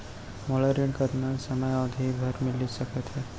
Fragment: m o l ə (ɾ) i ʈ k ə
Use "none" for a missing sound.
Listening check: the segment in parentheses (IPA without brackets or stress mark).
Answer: ɾ